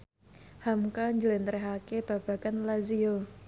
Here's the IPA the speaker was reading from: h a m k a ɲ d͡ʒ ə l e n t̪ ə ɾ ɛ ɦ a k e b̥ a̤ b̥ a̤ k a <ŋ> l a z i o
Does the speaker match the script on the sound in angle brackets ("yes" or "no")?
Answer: no